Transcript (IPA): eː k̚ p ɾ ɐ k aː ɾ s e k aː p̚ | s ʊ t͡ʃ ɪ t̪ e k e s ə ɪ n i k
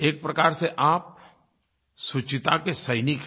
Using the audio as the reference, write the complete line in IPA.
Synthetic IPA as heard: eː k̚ p ɾ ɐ k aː ɾ s e ʔ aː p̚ | s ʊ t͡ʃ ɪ t̪ a k e s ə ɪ n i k